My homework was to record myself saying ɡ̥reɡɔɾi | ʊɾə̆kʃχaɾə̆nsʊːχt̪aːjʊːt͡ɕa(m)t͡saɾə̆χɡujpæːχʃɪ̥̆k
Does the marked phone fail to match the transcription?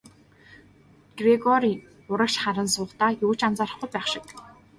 yes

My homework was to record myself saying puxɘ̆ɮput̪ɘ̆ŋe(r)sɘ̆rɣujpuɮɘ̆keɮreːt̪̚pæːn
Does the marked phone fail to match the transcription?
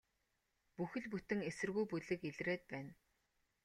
yes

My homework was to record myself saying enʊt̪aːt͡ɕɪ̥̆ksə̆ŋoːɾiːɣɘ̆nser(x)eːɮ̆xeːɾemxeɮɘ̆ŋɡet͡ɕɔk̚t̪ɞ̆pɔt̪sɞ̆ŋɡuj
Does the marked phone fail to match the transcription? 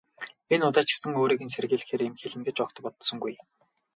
yes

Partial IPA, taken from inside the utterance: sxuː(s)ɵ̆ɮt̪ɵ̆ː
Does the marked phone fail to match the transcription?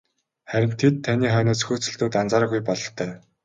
yes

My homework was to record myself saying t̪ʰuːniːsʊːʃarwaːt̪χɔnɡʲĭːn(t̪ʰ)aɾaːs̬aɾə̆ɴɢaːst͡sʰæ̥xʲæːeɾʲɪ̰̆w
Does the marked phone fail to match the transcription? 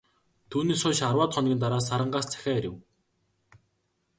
yes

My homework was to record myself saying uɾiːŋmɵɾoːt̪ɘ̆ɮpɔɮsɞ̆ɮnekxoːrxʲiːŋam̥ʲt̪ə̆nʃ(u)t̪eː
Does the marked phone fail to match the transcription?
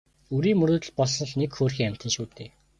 yes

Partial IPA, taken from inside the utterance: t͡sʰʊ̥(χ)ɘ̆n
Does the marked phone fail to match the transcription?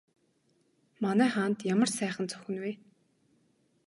yes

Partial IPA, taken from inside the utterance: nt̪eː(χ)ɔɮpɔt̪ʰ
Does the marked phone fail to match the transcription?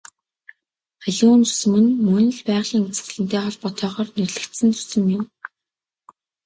no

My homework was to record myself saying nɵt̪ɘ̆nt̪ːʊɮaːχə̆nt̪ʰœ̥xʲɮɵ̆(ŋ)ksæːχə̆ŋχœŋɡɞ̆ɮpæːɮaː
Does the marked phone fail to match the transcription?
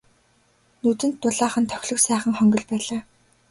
yes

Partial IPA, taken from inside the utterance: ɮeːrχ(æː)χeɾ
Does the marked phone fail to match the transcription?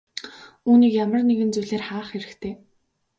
yes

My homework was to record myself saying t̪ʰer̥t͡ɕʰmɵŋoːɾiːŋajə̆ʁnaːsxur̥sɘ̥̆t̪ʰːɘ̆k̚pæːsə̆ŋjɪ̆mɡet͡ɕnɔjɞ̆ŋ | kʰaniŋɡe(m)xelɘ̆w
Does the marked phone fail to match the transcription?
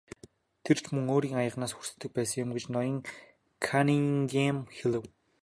no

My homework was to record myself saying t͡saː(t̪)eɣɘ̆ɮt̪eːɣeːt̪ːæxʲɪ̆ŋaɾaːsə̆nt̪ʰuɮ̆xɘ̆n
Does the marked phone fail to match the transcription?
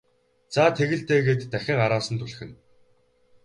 yes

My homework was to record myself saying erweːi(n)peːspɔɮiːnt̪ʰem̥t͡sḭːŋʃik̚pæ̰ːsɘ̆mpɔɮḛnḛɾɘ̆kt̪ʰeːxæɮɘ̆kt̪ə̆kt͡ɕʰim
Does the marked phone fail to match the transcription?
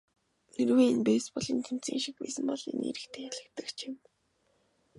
no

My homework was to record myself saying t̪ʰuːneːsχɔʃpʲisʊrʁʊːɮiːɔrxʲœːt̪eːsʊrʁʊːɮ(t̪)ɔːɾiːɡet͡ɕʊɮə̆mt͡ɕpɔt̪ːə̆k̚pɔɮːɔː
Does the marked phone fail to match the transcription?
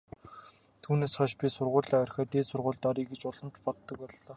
no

